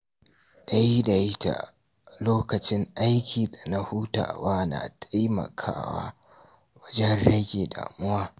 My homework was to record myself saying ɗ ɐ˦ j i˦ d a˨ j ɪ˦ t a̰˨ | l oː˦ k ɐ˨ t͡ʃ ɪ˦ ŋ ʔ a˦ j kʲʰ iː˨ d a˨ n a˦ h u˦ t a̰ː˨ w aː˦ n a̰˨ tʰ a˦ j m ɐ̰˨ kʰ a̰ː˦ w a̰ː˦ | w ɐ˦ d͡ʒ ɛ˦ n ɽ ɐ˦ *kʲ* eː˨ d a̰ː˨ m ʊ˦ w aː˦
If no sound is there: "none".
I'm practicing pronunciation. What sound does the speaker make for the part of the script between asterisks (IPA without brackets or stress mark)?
ɡʲ